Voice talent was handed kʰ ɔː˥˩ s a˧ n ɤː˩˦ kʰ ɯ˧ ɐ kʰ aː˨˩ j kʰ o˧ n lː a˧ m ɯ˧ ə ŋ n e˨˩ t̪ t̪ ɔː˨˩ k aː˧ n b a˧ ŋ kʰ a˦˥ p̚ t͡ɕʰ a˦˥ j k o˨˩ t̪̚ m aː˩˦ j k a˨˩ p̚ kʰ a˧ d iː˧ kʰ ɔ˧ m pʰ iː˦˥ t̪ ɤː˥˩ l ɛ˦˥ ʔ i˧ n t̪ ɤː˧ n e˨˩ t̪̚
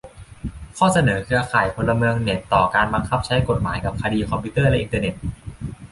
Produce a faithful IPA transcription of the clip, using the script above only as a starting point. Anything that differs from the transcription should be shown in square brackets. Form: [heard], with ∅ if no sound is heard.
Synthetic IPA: kʰ ɔː˥˩ s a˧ n ɤː˩˦ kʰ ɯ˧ ɐ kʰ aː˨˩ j [pʰ] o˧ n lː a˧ m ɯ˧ ə ŋ n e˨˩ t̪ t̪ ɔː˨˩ k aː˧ n b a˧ ŋ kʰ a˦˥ p̚ t͡ɕʰ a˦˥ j k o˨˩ t̪̚ m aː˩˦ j k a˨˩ p̚ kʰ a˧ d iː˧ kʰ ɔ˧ m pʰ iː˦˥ t̪ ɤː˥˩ l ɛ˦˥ ʔ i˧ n t̪ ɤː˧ n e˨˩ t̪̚